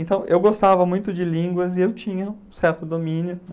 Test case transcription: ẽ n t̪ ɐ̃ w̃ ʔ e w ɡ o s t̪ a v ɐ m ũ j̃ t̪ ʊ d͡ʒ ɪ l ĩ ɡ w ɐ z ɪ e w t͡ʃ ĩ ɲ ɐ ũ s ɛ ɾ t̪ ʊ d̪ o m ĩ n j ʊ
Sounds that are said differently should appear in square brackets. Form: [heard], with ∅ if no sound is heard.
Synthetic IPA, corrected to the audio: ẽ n t̪ ɐ̃ w̃ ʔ e w ɡ o s t̪ a v ɐ m ũ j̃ t̪ ʊ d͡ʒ ɪ l ĩ ɡ w ɐ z ɪ e w t͡ʃ ĩ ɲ ɐ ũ s ɛ ɾ t̪ ʊ d̪ o m ĩ n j ʊ